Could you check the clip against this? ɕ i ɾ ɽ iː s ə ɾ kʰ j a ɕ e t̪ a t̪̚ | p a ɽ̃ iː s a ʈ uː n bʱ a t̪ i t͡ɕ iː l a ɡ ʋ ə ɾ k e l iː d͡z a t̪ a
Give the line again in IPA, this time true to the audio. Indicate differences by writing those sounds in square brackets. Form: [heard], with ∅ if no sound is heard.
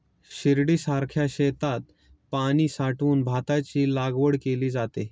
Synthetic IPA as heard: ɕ i ɾ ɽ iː s [a] ɾ kʰ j a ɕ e t̪ a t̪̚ | p a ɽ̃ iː s a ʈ uː n bʱ a t̪ [a] t͡ɕ iː l a ɡ ʋ ə [ɽ] k e l iː d͡z a t̪ [e]